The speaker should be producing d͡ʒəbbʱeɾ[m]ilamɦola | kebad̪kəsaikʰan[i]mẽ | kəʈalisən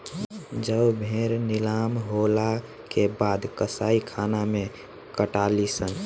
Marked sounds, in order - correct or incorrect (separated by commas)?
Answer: incorrect, incorrect